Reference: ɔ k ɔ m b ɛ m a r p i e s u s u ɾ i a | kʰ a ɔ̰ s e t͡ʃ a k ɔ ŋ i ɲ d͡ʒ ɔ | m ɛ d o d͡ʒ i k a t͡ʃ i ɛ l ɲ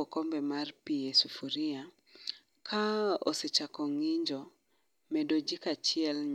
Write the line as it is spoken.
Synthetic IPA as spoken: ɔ k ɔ m b ɛ m a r p i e s u f u ɾ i a | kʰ a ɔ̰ s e t͡ʃ a k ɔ ŋ i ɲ d͡ʒ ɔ | m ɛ d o d͡ʒ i k a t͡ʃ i ɛ l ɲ